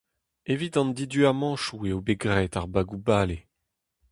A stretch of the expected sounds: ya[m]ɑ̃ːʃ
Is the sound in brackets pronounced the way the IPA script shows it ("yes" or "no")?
yes